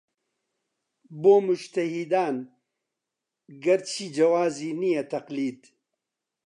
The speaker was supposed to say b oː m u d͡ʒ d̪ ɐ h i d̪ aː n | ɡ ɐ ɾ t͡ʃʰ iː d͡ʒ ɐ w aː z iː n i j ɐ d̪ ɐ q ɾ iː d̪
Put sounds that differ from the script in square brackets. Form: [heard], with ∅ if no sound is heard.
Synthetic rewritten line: b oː m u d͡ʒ [t̪] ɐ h i d̪ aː n | ɡ ɐ ɾ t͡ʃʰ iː d͡ʒ ɐ w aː z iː n i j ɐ [t̪] ɐ q [l] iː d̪